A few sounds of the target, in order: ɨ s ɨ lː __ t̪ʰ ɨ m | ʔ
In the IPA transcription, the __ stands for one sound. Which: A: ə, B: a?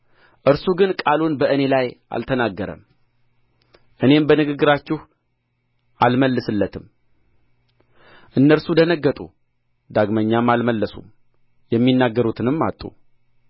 A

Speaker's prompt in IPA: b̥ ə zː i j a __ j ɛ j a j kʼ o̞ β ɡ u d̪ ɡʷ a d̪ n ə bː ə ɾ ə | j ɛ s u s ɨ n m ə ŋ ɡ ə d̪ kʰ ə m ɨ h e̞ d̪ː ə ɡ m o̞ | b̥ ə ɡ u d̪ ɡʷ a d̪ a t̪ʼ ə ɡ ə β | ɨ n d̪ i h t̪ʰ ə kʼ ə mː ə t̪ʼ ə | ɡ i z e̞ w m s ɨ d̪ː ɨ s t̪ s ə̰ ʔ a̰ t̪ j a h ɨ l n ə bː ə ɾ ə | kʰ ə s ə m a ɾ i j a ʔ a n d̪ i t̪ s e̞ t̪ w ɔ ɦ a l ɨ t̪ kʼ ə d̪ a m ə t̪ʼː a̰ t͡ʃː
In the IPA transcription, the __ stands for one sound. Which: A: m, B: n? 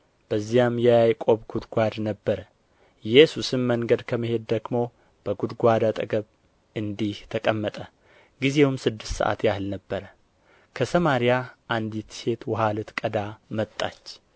A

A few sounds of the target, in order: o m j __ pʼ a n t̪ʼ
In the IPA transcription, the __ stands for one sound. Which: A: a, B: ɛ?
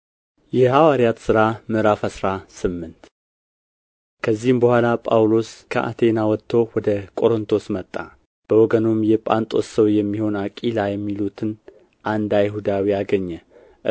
B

